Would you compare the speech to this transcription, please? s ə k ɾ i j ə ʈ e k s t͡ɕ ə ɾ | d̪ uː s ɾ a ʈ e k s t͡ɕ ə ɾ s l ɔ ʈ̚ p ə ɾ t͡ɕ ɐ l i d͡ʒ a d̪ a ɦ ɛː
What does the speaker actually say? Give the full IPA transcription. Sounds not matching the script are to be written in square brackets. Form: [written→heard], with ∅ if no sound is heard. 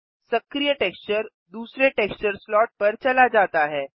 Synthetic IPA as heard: s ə k ɾ i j ə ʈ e k s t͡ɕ ə ɾ | d̪ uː s ɾ [a→e] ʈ e k s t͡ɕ ə ɾ s l ɔ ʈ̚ p ə ɾ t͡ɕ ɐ l [i→a] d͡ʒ a [d̪→t̪] a ɦ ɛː